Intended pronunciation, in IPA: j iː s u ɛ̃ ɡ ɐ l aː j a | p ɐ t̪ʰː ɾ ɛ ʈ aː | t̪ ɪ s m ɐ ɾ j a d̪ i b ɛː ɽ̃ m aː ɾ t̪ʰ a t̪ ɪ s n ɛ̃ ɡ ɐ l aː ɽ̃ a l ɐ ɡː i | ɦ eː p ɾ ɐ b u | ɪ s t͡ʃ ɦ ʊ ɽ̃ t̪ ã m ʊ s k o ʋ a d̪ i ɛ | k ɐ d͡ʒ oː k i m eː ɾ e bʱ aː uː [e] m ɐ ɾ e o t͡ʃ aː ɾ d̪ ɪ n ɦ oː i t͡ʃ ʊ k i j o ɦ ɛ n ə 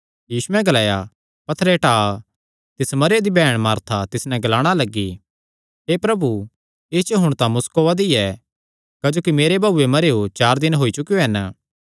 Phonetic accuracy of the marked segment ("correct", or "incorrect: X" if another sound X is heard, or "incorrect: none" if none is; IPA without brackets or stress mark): correct